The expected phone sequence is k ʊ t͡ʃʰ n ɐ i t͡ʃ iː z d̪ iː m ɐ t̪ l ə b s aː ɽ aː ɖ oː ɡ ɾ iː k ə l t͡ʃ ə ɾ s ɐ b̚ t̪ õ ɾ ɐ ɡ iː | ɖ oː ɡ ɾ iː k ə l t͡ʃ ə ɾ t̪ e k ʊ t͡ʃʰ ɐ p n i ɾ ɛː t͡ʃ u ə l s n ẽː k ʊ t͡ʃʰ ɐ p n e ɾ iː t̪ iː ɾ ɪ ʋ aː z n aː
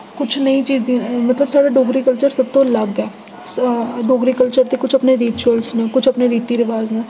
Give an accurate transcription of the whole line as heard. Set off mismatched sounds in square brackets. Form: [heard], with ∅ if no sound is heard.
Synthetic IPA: k ʊ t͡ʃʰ n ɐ i t͡ʃ iː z d̪ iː m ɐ t̪ l ə b s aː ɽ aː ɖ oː ɡ ɾ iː k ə l t͡ʃ ə ɾ s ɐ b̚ t̪ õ [l] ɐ ɡ [ɛː] | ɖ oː ɡ ɾ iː k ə l t͡ʃ ə ɾ t̪ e k ʊ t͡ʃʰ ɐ p n [e] ɾ [iː] t͡ʃ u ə l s n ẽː k ʊ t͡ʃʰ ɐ p n e ɾ iː t̪ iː ɾ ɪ ʋ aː z n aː